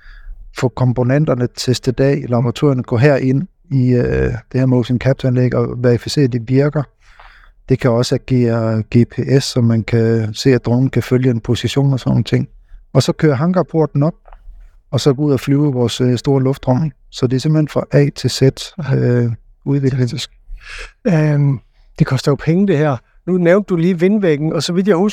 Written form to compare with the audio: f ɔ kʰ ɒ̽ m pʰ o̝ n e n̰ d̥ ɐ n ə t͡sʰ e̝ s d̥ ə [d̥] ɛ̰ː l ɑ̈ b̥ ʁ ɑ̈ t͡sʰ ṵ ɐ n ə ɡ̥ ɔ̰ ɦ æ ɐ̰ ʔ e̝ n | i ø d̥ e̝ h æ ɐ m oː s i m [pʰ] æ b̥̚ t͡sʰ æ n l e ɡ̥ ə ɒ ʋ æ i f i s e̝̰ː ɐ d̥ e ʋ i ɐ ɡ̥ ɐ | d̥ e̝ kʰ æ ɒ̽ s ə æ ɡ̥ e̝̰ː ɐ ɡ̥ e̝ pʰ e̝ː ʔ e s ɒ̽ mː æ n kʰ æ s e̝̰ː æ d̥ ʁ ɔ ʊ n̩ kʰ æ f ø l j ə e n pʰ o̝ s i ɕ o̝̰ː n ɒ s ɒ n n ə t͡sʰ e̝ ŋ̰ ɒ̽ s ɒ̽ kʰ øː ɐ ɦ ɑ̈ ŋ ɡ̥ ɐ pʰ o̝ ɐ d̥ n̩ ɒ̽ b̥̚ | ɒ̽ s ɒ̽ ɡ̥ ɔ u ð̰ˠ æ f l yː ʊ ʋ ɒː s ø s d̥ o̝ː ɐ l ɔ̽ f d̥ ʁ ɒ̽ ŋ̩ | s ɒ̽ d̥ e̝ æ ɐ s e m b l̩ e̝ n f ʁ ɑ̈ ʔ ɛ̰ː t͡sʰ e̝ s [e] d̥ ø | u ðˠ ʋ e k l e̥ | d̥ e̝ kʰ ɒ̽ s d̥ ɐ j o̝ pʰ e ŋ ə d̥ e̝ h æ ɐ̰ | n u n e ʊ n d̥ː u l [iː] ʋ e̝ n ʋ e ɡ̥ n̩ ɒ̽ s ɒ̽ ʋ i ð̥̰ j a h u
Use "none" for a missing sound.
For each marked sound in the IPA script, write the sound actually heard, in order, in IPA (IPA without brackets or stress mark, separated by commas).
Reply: d̥, kʰ, e, iː